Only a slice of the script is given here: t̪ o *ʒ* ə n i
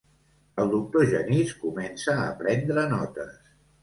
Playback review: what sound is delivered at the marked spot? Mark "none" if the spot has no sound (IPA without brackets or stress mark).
ʒ